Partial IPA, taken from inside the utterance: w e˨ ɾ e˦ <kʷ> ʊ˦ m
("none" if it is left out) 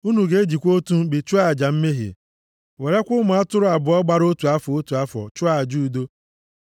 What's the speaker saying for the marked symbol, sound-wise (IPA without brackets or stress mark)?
kʷ